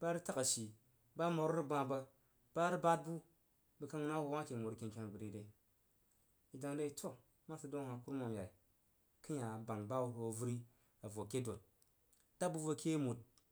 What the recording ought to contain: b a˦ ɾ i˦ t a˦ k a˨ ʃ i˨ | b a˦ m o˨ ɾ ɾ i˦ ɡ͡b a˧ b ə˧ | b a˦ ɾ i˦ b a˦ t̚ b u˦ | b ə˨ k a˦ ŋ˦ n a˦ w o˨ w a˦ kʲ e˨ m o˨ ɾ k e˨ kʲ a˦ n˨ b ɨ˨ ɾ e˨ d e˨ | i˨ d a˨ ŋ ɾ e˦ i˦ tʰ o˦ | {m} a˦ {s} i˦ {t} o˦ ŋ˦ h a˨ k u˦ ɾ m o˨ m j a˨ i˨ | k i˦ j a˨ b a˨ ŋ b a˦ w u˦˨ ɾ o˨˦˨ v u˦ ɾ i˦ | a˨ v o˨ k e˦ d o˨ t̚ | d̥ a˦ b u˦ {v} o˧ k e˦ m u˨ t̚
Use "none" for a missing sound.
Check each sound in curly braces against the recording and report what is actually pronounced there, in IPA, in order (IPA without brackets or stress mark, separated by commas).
m, s, d, v